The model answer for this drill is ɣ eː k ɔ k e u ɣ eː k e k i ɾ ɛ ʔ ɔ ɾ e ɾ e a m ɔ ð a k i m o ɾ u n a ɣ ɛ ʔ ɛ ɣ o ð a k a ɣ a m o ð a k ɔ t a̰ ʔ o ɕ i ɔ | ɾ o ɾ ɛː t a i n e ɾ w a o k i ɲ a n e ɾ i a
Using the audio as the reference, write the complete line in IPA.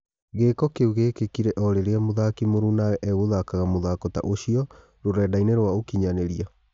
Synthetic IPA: ɣ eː k ɔ k e u ɣ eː k e k i ɾ ɛ ʔ ɔ ɾ e ɾ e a m o ð a k i m o ɾ u n a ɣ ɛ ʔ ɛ ɣ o ð a k a ɣ a m o ð a k ɔ t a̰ ʔ o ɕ i ɔ | ɾ o ɾ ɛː d a i n e ɾ w a o k i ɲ a n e ɾ i a

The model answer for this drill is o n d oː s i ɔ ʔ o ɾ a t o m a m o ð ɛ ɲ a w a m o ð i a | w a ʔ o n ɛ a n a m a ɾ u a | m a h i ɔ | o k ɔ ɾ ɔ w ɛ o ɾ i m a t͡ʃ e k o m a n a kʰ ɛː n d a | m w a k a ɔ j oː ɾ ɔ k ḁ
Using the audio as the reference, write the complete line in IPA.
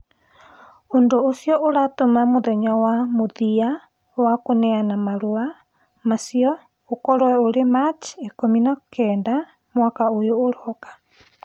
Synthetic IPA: o n d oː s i ɔ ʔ o ɾ a t o m a m o ð ɛ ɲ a w a m o ð i a | w a k o n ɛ a n a m a ɾ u a | m a s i ɔ | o k ɔ ɾ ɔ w ɛ o ɾ e m a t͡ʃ e k o m i n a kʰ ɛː n d a | m w a k a o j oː ɾ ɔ k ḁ

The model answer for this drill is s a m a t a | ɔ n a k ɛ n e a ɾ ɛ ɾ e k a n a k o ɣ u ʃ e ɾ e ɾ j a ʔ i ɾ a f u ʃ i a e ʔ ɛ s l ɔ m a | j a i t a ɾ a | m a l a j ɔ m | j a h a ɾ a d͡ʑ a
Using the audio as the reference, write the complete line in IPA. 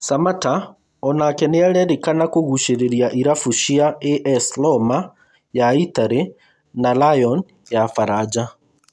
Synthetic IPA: s a m a t a | ɔ n a k ɛ n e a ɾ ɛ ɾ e k a n a k o ɣ u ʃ e ɾ e ɾ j a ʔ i ɾ a f u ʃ i a e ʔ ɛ s l ɔ m a | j a i t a ɾ e | n a l a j ɔ n | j a f a ɾ a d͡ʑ a

